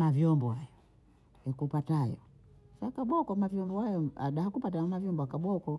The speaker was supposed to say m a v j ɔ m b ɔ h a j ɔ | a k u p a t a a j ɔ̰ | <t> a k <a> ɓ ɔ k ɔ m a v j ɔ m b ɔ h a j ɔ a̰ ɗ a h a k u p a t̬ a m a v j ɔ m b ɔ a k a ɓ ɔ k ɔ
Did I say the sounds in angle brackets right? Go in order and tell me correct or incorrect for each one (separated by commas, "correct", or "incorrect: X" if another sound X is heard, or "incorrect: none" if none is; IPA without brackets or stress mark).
incorrect: s, correct